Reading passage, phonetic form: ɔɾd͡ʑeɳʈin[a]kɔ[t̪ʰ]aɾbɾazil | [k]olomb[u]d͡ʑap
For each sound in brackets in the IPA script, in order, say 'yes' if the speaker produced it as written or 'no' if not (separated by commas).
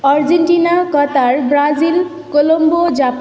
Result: yes, no, yes, no